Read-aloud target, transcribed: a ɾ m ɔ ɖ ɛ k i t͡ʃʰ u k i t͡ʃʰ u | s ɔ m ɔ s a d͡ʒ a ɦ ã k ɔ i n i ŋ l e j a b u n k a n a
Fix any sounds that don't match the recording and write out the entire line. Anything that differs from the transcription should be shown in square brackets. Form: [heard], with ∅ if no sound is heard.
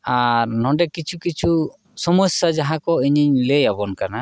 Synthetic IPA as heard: a ɾ [n] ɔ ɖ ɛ k i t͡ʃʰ u k i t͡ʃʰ u | s ɔ m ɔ s a d͡ʒ a ɦ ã k ɔ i [ɲ] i [ɲ] l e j a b [ɔ] n k a n a